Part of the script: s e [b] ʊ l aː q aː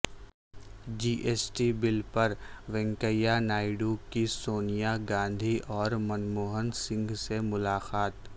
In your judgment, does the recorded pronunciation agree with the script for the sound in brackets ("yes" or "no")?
no